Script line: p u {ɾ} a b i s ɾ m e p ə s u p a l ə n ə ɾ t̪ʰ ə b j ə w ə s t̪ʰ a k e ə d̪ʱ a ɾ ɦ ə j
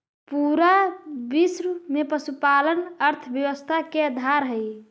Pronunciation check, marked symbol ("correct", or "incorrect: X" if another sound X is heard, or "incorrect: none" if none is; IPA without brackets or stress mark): correct